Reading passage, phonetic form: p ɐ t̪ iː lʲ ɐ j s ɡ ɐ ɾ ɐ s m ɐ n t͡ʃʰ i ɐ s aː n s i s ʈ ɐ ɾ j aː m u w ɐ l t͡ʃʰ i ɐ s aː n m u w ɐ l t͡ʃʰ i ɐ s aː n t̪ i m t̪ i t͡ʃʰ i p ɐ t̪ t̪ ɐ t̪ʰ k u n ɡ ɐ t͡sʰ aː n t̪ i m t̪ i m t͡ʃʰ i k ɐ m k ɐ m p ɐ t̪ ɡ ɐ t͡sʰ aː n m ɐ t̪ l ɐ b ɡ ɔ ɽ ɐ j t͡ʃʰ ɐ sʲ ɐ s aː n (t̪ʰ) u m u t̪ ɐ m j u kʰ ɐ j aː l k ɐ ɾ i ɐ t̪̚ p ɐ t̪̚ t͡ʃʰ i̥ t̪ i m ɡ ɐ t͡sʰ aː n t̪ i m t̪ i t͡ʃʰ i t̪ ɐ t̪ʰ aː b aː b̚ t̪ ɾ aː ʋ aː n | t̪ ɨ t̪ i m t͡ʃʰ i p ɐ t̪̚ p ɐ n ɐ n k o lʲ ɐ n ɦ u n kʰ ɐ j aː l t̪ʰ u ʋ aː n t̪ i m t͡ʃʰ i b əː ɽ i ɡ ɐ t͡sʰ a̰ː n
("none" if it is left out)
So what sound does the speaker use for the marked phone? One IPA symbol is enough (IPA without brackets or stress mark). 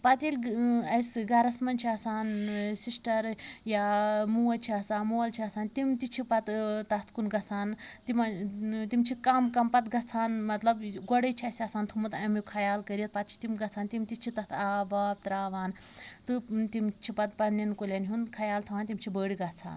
t̪ʰ